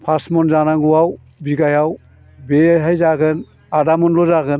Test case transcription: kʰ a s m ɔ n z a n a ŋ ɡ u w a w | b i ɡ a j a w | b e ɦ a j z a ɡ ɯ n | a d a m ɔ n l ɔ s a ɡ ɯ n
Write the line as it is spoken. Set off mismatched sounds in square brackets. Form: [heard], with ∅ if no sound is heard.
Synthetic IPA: [pʰ] a s m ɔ n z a n a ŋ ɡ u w a w | b i ɡ a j a w | b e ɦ a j z a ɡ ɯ n | a d a m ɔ n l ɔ [z] a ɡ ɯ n